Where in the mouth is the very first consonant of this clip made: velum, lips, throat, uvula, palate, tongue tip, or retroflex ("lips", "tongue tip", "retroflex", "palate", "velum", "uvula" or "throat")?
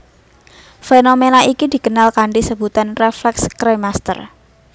lips